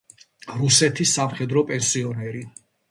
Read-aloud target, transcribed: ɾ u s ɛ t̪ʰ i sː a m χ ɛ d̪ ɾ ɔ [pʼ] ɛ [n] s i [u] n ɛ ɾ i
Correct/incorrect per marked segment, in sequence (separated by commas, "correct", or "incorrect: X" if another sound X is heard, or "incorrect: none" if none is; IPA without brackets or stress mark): correct, correct, incorrect: ɔ